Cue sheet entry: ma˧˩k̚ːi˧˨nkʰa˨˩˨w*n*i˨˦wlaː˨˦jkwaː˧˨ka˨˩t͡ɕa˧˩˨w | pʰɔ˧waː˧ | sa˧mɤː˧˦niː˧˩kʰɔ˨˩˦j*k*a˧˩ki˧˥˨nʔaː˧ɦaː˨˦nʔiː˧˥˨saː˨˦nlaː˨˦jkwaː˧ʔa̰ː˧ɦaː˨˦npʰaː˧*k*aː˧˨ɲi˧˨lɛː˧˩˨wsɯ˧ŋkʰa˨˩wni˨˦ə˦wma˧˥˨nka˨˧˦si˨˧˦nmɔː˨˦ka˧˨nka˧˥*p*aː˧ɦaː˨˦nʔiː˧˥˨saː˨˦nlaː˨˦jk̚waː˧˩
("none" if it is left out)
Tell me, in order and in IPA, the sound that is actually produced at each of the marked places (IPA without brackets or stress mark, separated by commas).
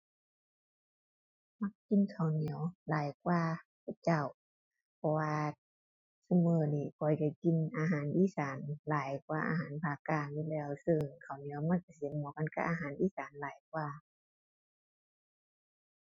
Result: n, k, k, ʔ